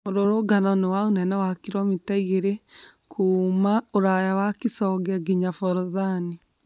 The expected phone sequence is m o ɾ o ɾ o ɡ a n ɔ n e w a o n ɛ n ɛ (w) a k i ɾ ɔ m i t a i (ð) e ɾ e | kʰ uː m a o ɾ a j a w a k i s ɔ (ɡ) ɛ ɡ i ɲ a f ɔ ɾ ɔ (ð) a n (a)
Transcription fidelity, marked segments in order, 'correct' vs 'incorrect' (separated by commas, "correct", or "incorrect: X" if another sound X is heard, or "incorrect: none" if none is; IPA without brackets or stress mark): correct, incorrect: ɣ, correct, correct, incorrect: i